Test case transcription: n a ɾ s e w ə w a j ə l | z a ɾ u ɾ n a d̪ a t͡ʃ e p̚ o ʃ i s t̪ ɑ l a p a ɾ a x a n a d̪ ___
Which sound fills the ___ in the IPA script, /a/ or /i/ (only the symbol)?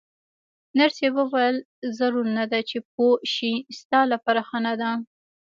a